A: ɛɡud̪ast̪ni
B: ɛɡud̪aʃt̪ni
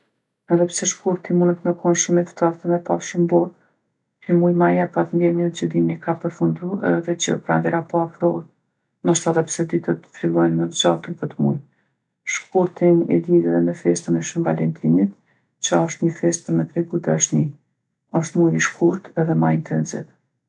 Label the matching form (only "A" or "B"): B